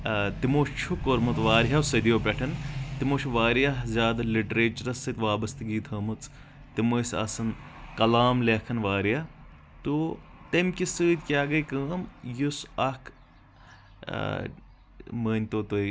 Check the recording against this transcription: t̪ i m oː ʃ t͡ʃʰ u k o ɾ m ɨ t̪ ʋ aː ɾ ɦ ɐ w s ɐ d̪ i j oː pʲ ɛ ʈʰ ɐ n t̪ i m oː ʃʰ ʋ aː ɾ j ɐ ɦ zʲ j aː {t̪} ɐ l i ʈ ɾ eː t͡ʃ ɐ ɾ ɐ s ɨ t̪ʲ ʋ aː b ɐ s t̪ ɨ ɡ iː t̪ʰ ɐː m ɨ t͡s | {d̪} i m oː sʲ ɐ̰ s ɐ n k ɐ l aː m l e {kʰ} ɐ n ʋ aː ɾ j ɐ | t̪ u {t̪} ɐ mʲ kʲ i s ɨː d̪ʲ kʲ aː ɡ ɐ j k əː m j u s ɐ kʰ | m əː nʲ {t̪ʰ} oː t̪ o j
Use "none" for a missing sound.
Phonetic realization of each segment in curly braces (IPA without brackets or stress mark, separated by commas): d̪, t̪, kʰ, t̪, t̪